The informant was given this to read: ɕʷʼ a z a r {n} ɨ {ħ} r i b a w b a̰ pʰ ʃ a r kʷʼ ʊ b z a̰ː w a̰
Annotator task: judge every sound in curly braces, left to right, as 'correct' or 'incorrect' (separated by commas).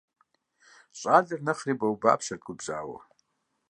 correct, incorrect